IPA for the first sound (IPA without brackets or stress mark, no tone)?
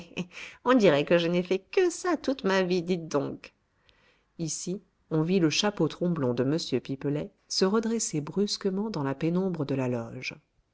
ɔ̃